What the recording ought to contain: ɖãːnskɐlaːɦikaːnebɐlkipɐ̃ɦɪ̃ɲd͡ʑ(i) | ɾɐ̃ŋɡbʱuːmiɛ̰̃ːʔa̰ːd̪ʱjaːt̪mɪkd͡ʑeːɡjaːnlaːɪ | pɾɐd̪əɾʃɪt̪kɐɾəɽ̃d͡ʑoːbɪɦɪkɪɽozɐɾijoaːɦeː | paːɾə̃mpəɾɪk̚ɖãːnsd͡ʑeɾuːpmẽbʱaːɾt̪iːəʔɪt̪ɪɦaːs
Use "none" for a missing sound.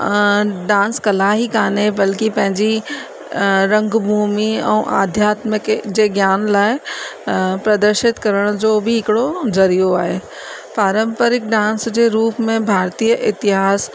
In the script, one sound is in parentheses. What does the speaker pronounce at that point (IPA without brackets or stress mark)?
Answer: i